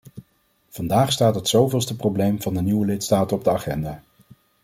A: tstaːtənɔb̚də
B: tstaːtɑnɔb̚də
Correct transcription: A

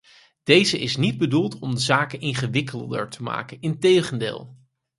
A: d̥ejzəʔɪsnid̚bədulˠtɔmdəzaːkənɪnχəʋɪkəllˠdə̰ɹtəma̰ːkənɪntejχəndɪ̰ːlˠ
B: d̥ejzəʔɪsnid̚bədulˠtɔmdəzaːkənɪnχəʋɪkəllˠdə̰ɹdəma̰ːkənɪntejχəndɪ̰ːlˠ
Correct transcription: A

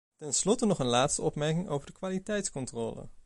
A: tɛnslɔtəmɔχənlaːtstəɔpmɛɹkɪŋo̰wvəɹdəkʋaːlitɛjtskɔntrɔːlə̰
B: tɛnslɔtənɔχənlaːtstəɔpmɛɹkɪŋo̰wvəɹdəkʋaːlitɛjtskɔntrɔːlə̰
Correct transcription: B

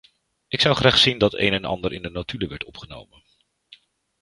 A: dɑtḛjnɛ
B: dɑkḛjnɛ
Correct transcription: A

